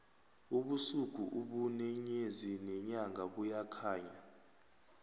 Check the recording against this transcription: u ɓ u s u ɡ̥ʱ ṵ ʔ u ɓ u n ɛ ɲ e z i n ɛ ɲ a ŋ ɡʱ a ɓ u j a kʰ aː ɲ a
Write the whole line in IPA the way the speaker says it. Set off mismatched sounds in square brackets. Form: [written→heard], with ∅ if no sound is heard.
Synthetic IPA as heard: u ɓ u s u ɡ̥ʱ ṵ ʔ u ɓ u n ɛ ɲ e z i n ɛ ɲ a ŋ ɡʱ a ɓ u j a kʰ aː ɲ a

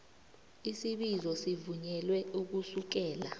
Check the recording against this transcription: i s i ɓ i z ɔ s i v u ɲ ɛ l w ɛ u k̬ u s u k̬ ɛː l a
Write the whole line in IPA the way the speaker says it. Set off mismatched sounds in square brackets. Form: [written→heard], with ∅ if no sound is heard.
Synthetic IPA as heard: i s i ɓ i z ɔ s i v u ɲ ɛ l w ɛ u k̬ u s u k̬ ɛː l a

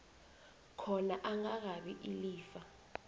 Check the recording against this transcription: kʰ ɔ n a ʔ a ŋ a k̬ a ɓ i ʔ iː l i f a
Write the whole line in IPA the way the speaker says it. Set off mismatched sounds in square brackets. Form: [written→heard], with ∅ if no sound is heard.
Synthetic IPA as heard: kʰ ɔ n a ʔ a ŋ a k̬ a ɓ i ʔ [iː→i] l [i→iː] f a

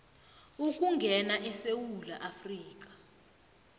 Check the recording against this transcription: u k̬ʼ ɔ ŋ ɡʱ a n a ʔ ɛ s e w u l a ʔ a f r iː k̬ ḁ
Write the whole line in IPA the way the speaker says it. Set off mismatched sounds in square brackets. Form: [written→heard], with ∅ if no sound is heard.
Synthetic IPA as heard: u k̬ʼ [ɔ→u] ŋ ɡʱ [a→ɛ] n a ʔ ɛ s e w u l a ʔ a f r iː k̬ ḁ

